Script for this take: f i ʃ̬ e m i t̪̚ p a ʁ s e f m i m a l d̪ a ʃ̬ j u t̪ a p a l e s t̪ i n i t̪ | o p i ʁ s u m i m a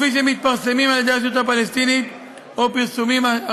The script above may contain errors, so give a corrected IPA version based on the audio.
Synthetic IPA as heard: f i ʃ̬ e m i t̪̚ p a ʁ s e m i m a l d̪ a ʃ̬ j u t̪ a p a l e s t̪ i n i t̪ | o p i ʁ s u m i m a